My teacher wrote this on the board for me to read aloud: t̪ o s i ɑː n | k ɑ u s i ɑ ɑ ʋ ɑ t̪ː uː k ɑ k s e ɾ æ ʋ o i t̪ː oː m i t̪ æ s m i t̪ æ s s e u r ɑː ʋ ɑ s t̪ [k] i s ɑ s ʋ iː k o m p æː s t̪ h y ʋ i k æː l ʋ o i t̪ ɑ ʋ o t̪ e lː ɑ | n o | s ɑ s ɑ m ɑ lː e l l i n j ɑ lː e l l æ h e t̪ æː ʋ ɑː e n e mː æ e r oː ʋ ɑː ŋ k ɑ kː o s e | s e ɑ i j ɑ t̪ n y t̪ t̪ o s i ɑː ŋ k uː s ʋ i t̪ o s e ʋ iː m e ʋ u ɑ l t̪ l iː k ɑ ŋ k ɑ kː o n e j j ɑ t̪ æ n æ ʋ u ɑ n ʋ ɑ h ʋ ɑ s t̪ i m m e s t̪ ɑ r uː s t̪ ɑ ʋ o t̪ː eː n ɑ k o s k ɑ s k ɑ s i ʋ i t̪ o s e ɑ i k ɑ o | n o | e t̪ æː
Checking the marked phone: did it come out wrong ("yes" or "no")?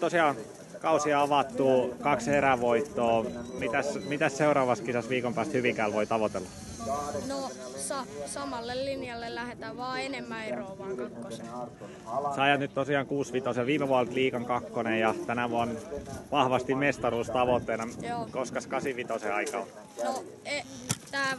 no